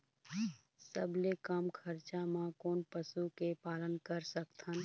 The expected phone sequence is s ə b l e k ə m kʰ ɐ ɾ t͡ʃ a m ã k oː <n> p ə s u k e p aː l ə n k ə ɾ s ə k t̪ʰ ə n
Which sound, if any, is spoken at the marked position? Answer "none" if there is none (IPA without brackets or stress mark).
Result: n